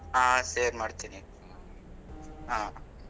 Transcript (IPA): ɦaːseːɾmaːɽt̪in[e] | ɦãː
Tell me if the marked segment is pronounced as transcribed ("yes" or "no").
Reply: no